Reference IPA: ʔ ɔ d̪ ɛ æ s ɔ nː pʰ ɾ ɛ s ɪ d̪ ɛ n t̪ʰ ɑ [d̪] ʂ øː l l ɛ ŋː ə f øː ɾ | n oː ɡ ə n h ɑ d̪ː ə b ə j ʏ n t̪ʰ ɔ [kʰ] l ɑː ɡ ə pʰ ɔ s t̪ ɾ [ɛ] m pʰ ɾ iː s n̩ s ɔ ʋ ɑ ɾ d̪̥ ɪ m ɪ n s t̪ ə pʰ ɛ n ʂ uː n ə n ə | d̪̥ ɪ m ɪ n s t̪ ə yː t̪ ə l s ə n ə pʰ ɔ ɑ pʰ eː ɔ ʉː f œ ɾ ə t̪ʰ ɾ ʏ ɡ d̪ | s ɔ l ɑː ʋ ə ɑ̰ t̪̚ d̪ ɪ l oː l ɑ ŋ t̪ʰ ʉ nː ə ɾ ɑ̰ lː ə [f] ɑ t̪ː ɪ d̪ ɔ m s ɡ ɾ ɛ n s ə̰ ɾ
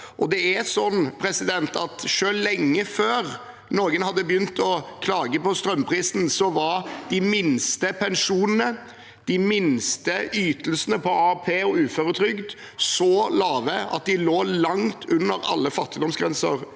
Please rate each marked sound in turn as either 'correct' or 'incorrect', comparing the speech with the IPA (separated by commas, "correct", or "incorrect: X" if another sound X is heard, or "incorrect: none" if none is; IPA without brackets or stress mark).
incorrect: t̪, correct, incorrect: œ, correct